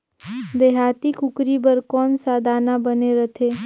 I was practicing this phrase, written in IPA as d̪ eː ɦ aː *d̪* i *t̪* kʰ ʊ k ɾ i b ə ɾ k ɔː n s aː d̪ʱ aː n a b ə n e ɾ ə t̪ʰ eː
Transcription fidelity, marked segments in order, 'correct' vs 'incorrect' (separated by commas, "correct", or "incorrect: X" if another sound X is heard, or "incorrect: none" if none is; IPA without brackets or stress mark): incorrect: t̪, incorrect: none